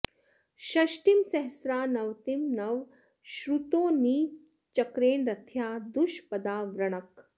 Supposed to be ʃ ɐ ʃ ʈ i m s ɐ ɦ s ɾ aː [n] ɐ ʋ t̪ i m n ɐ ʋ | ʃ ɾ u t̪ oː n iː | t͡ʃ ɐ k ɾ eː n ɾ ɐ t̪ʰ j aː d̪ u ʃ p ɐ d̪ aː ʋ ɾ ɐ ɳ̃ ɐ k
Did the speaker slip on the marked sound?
no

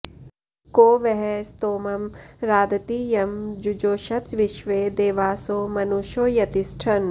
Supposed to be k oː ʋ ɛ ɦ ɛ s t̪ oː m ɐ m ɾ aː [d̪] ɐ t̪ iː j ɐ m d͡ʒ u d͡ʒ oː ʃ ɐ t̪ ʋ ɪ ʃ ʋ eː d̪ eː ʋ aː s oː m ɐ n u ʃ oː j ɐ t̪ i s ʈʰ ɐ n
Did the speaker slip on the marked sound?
no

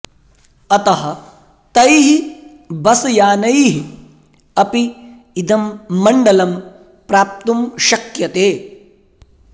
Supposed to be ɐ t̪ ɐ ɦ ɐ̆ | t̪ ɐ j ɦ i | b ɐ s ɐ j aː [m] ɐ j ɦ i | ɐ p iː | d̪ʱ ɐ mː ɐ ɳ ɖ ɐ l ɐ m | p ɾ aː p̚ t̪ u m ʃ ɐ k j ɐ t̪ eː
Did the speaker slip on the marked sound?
yes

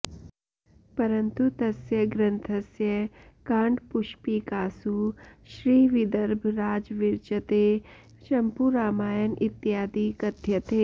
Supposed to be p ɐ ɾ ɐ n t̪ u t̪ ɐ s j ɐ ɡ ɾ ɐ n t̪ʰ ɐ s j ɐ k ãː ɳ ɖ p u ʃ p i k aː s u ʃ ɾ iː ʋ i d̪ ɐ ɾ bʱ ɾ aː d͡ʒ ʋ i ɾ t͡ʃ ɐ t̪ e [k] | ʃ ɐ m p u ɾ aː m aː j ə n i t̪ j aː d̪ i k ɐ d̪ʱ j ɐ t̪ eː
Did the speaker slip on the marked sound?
yes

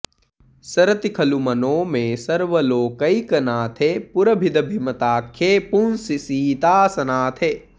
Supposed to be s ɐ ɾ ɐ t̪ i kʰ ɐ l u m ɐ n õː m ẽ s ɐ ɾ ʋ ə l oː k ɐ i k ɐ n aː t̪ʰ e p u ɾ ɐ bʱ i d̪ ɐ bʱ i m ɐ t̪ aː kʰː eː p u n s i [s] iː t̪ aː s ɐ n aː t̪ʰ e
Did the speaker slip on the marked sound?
no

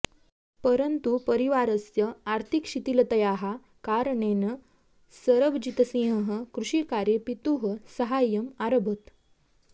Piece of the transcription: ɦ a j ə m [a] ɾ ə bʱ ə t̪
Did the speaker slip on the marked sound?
no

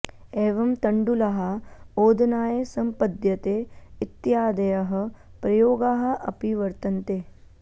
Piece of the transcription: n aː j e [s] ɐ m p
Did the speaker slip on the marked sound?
no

